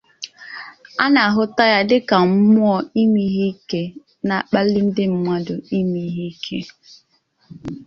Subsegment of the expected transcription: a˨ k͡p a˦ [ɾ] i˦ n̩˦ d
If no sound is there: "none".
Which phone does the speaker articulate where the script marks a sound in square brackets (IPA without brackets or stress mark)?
l